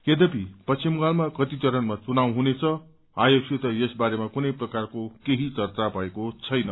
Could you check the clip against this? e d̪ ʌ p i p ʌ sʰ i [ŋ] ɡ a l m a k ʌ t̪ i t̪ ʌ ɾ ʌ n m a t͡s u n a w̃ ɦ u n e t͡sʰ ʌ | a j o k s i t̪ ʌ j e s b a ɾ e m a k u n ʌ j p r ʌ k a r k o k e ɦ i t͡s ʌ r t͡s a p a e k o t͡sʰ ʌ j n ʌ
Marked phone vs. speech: incorrect: m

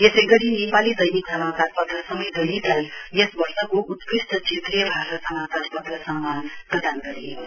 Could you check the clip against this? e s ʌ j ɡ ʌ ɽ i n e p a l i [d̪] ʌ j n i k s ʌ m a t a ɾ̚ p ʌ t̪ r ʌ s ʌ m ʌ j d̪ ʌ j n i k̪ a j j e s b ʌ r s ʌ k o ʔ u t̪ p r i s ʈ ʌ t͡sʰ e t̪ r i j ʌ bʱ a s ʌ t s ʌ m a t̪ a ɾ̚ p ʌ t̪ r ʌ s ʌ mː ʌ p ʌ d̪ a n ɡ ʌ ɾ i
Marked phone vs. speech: correct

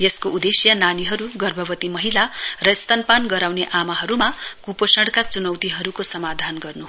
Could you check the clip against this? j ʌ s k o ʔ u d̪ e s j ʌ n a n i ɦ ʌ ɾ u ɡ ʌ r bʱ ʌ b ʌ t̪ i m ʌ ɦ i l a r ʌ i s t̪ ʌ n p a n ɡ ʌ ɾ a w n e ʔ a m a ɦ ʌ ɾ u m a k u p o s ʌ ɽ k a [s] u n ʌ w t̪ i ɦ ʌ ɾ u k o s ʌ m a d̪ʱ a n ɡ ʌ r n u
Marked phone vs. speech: incorrect: t͡s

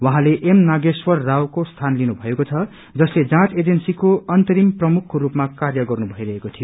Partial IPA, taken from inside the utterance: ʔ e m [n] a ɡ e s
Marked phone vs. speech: correct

